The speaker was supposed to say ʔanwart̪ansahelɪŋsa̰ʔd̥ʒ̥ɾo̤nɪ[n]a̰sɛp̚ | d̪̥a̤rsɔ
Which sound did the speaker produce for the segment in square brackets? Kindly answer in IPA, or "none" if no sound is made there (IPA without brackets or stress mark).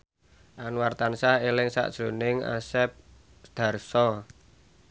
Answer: ŋ